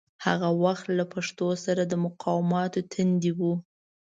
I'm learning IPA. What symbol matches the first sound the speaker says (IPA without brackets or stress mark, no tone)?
h